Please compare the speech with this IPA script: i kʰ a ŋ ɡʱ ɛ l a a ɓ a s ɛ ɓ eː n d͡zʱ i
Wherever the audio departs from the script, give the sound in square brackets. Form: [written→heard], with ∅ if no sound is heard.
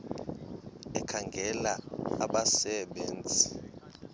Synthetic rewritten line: [i→ɛ] kʰ a ŋ ɡʱ ɛ l a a ɓ a s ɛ ɓ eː n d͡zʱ i